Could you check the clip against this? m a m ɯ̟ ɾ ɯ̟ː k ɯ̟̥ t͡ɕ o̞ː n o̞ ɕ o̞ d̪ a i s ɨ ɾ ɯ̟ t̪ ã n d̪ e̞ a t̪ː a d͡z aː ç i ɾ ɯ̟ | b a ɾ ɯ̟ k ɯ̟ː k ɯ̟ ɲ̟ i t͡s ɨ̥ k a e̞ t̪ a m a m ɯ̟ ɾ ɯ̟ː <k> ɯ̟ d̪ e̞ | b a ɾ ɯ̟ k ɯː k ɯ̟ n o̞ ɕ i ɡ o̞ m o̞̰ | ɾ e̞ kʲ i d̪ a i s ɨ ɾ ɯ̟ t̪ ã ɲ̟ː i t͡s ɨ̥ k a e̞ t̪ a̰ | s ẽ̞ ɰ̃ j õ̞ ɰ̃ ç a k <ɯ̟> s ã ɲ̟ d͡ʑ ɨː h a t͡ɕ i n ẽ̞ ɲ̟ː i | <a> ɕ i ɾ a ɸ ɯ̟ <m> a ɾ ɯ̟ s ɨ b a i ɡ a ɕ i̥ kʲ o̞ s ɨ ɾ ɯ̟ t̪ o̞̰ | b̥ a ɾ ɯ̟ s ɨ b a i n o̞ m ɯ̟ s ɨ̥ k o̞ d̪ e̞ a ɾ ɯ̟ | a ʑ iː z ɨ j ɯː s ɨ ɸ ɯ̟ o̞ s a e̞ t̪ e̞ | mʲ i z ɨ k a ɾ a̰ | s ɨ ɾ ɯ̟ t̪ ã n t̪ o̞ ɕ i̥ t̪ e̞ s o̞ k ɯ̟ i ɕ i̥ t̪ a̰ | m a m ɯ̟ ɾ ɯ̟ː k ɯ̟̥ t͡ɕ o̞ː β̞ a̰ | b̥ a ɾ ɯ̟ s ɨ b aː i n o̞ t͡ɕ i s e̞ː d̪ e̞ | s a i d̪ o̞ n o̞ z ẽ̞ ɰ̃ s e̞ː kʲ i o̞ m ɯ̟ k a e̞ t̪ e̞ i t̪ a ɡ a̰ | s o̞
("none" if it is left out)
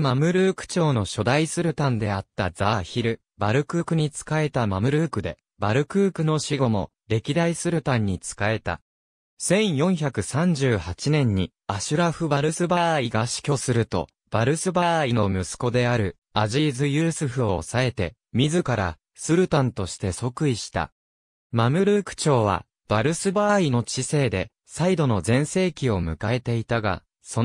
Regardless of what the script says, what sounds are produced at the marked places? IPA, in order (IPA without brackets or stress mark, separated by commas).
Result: k, ɯ̟, a, b